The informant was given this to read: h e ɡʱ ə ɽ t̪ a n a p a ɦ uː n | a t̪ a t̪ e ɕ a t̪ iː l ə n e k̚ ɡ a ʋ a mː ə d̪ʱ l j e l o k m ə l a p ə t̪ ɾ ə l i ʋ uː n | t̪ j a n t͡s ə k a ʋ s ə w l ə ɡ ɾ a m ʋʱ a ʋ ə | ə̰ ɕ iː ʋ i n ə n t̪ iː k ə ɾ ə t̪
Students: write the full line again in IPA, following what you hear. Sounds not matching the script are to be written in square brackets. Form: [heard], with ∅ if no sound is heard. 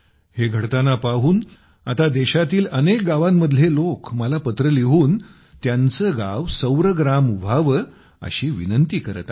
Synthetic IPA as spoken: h e ɡʱ ə ɽ t̪ a n a p a ɦ uː n | a t̪ a [d̪] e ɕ a t̪ iː l ə n e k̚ ɡ a ʋ a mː ə d̪ʱ l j e l o k m ə l a p ə t̪ ɾ ə l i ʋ uː n | t̪ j a n t͡s ə [ɡ] a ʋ s ə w [ɾ] ə ɡ ɾ a m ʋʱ a ʋ ə | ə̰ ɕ iː ʋ i n ə n t̪ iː k ə ɾ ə t̪